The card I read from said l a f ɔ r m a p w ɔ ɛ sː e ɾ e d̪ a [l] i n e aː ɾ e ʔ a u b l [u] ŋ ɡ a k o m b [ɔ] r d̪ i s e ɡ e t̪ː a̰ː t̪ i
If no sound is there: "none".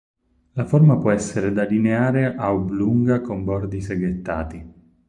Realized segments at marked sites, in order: l, u, ɔ

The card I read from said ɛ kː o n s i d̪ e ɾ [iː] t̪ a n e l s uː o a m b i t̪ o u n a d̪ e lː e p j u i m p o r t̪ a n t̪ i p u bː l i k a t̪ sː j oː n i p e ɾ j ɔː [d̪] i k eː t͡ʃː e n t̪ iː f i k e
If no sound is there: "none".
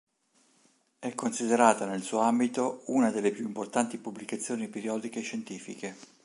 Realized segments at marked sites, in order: aː, d̪

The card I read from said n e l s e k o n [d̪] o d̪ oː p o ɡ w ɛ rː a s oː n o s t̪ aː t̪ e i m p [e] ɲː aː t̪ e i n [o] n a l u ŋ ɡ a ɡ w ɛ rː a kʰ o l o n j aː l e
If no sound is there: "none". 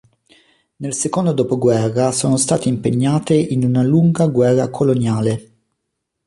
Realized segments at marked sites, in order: d̪, e, u

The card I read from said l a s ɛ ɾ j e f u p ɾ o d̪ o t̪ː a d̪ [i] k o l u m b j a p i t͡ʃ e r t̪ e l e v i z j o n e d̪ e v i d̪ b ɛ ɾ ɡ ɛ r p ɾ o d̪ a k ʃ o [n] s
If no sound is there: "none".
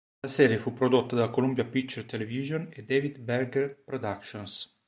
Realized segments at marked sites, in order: a, n

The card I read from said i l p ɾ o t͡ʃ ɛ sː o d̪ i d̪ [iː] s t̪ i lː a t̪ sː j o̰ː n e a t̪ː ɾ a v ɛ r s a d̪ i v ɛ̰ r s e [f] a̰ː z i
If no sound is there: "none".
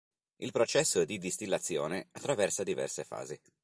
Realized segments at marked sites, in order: i, f

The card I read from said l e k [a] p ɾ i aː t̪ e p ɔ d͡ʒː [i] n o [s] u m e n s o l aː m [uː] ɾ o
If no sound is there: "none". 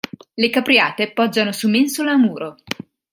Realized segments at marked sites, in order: a, a, s, uː

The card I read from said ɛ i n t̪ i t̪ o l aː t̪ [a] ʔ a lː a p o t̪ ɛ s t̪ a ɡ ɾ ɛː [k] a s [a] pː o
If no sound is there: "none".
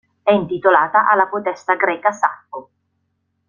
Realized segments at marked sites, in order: a, k, a

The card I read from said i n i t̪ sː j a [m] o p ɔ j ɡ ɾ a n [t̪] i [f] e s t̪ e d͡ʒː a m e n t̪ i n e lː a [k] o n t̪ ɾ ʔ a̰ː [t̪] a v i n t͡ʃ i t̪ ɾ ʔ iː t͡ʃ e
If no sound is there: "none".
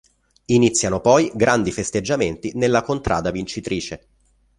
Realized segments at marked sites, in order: n, d̪, f, k, d̪

